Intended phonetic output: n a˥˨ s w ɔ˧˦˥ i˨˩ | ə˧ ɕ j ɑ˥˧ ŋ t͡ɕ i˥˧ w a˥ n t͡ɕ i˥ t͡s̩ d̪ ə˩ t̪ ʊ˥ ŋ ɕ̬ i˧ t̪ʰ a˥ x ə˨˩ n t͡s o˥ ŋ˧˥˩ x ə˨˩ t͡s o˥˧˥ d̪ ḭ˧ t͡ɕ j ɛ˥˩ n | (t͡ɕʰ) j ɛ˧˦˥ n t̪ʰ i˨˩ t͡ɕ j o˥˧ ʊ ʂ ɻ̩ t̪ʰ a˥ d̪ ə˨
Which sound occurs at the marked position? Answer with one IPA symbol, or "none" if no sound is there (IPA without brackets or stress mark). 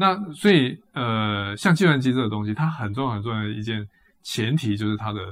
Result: t͡ɕʰ